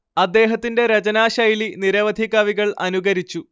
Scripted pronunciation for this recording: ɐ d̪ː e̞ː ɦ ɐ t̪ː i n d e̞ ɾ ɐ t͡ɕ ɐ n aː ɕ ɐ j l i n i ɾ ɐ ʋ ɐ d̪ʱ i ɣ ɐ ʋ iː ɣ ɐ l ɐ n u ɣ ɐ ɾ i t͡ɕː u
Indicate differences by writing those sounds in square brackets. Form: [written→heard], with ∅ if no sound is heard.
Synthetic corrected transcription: ɐ d̪ː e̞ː ɦ ɐ t̪ː i n d e̞ ɾ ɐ t͡ɕ ɐ n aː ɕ ɐ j l i n i ɾ ɐ ʋ ɐ d̪ʱ i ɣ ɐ ʋ [iː→i] ɣ ɐ [l→ɭ] ɐ n u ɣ ɐ ɾ i t͡ɕː u